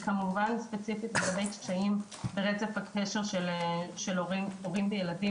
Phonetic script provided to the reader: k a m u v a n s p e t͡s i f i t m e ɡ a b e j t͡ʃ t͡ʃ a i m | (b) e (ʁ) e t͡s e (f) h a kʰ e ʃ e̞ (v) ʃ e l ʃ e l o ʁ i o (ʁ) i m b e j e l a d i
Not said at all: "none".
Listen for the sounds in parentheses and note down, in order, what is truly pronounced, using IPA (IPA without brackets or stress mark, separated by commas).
b, ʁ, f, ʁ, ʁ